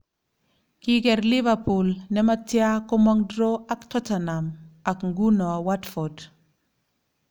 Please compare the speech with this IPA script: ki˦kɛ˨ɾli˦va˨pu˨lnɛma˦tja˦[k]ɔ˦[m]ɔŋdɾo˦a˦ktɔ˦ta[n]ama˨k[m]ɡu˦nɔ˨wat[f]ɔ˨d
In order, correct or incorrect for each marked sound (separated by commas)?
correct, correct, correct, incorrect, correct